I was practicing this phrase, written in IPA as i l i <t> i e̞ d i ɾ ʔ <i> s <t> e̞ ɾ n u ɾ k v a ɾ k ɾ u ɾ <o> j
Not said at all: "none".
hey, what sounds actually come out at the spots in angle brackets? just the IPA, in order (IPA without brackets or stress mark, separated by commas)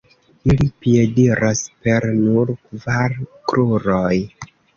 p, a, p, o